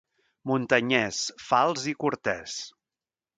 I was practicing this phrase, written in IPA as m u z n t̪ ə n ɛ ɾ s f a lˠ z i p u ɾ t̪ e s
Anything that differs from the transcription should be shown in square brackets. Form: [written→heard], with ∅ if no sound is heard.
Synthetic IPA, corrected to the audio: m u [z→∅] n t̪ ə [n→ɲ] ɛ [ɾ→∅] s f a lˠ z i [p→k] u ɾ t̪ [e→ɛ] s